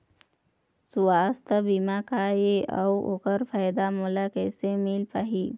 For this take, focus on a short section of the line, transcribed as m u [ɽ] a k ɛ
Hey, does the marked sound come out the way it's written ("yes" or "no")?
no